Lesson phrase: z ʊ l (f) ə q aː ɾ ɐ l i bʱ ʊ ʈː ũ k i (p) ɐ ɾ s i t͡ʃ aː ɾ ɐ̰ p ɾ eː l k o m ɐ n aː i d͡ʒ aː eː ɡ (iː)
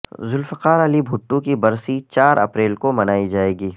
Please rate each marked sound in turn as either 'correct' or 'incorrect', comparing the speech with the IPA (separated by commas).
correct, incorrect, correct